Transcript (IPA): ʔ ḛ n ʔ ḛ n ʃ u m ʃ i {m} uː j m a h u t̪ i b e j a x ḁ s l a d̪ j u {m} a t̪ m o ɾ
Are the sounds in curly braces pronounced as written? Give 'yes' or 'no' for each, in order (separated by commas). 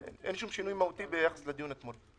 no, no